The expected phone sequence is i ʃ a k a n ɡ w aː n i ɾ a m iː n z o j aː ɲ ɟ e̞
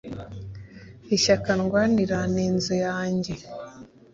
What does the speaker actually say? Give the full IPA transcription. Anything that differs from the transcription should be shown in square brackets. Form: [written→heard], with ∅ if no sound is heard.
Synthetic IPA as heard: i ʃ a k a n ɡ w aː n i ɾ a [m→n] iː n z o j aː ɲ ɟ e̞

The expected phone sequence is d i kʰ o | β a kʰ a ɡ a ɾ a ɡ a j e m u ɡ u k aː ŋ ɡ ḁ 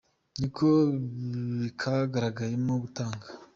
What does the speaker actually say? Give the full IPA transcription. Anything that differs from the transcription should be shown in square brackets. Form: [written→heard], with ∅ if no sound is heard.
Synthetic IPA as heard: [d→n] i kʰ o | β [a→i] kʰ a ɡ a ɾ a ɡ a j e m [u→o] ɡ u [k→t] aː ŋ ɡ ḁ

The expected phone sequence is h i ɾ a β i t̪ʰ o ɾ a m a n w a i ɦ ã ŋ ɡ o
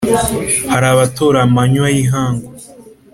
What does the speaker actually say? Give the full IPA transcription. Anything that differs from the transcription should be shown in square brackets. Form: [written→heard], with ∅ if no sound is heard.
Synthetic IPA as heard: h [i→a] ɾ a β [i→a] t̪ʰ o ɾ a m a [n→ɲ] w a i ɦ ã ŋ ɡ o

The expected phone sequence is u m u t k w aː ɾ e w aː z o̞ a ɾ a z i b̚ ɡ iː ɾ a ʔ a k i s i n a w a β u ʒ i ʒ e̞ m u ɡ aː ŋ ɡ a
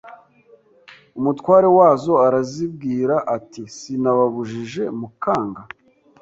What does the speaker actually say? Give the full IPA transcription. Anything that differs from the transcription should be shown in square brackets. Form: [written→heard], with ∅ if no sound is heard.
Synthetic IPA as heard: u m u t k w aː ɾ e w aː z o̞ a ɾ a z i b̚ ɡ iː ɾ a ʔ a [k→t] i s i n a [w→β] a β u ʒ i ʒ e̞ m u [ɡ→k] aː ŋ ɡ a

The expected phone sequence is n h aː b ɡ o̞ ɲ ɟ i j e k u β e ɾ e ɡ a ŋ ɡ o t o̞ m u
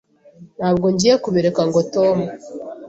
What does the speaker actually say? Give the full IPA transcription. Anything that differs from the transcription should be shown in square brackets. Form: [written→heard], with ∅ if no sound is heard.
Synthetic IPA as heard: n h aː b ɡ o̞ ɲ ɟ i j e k u β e ɾ e [ɡ→k] a ŋ ɡ o t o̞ m u

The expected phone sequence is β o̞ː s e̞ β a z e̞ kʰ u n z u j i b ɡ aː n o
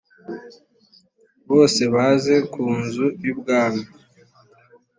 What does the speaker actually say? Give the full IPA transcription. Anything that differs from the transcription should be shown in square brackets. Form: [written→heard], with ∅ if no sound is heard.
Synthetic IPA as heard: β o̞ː s e̞ β a z e̞ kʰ [u→uː] n z u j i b ɡ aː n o

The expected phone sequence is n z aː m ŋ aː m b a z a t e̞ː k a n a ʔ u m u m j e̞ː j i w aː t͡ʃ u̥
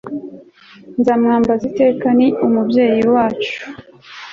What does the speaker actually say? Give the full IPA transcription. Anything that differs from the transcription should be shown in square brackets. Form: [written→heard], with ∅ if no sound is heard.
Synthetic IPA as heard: n z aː m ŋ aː m b a z [a→i] t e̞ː k a n [a→i] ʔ u m u [m→b] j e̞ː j i w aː t͡ʃ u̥

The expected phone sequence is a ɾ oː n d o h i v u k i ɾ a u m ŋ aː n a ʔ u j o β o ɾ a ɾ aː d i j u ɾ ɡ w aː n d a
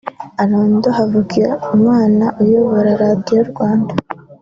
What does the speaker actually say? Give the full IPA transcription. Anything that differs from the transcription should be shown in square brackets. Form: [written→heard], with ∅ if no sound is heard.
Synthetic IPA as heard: a ɾ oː n d o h [i→a] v u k i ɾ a u m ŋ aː n a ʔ u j o β o ɾ a ɾ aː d i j [u→o] ɾ ɡ w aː n d a

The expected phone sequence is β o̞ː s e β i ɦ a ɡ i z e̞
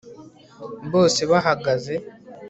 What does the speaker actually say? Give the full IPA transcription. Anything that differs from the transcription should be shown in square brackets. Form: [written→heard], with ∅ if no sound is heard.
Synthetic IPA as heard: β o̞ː s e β [i→a] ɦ a ɡ [i→a] z e̞

